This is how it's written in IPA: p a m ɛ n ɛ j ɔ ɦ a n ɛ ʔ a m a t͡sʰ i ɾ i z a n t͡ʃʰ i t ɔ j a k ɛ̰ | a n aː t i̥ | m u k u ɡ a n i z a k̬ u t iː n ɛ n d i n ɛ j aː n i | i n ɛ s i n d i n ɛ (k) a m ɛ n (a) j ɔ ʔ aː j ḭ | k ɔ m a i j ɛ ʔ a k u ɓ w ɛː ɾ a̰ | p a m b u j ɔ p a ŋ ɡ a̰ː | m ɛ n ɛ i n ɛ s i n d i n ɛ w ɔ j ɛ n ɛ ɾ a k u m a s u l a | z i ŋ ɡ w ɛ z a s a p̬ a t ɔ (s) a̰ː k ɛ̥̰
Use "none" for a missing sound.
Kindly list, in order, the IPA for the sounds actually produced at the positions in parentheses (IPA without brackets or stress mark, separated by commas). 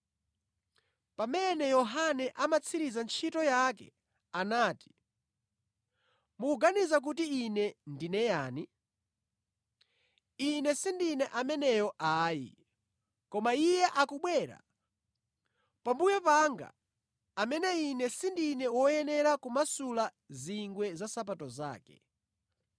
ʔ, ɛ, z